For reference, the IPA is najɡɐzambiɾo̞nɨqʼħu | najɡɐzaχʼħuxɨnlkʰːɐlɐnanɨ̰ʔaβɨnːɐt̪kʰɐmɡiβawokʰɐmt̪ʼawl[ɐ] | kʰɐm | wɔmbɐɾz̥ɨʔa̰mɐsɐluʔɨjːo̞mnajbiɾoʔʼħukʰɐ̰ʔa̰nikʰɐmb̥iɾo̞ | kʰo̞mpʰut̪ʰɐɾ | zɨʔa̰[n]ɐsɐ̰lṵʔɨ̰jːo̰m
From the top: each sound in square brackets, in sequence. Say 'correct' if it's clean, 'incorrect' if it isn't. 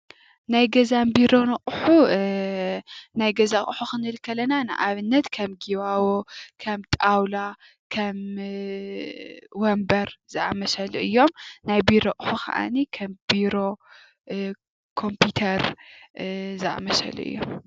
incorrect, incorrect

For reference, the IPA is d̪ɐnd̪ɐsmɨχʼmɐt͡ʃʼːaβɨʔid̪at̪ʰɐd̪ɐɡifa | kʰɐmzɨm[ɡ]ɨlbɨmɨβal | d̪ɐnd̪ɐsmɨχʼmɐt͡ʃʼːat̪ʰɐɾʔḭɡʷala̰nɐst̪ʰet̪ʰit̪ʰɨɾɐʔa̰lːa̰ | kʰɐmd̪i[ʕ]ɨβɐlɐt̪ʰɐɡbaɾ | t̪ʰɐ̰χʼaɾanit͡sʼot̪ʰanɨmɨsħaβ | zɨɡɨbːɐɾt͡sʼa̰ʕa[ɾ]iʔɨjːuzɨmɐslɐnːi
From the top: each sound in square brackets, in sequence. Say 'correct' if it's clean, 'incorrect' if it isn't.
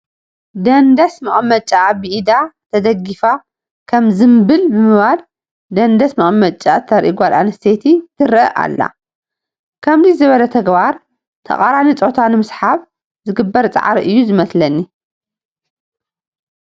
incorrect, incorrect, correct

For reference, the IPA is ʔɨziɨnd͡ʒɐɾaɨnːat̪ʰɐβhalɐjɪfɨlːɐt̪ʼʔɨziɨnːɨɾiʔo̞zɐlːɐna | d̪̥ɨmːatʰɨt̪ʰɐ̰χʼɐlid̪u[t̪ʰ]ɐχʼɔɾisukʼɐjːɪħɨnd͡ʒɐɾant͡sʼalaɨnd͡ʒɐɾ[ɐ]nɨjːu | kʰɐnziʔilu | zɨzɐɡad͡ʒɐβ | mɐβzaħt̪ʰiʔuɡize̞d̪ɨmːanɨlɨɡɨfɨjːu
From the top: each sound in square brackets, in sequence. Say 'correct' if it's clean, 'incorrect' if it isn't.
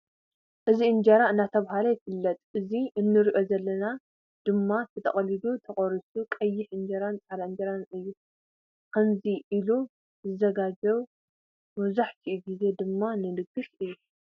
correct, incorrect

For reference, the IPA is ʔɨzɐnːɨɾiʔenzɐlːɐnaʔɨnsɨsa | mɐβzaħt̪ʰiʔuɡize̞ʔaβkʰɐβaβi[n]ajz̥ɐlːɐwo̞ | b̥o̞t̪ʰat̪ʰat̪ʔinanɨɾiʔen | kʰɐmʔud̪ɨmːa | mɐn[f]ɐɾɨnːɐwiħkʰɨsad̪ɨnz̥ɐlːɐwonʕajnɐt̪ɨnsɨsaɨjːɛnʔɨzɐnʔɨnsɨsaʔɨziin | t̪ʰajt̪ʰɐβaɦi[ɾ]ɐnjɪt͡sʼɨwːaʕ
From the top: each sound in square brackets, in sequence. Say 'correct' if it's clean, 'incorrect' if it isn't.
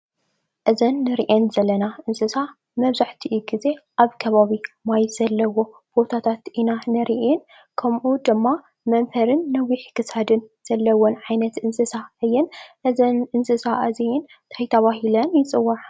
incorrect, correct, incorrect

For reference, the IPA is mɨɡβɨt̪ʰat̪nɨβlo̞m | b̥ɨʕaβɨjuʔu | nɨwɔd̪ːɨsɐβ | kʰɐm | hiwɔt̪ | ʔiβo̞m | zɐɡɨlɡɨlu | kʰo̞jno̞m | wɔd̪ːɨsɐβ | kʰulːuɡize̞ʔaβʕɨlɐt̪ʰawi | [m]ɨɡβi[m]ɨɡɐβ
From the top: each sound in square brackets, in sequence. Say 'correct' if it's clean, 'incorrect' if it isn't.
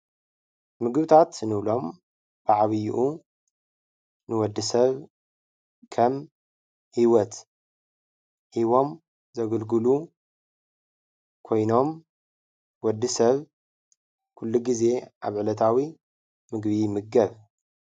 correct, correct

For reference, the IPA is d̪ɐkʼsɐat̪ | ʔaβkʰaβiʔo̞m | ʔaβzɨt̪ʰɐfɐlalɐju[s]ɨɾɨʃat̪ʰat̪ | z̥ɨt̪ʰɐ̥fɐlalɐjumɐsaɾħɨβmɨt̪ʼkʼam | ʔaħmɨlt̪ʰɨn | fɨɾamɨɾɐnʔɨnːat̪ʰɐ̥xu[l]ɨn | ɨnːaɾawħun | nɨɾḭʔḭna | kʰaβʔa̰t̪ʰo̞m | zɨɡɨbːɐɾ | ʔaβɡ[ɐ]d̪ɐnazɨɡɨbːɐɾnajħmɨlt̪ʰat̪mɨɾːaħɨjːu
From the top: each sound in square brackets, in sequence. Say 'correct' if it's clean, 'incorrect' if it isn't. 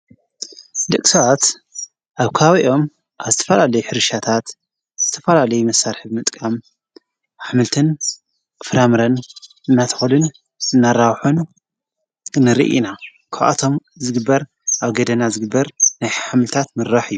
incorrect, correct, correct

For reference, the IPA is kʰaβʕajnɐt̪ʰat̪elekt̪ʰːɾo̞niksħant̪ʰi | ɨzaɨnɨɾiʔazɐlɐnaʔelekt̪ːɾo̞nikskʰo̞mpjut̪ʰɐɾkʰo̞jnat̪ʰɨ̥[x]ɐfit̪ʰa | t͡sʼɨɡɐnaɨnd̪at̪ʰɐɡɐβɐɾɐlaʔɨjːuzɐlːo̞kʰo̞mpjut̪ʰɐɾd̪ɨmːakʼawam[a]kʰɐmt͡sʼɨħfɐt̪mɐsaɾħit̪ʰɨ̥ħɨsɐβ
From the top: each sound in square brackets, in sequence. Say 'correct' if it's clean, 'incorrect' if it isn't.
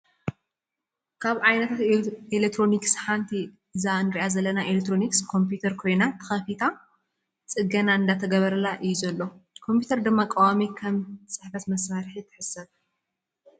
correct, incorrect

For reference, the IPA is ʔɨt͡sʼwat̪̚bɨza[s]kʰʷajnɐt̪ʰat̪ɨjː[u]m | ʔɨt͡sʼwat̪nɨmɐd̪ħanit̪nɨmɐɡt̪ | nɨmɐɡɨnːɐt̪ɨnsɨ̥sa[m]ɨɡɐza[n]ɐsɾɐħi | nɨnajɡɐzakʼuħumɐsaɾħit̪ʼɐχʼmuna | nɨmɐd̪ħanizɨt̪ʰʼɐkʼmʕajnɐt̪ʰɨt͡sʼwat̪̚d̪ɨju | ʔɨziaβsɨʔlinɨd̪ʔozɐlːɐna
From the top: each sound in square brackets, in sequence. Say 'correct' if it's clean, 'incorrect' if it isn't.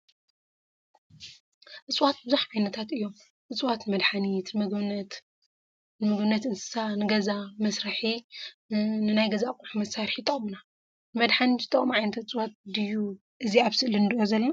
incorrect, incorrect, incorrect, incorrect

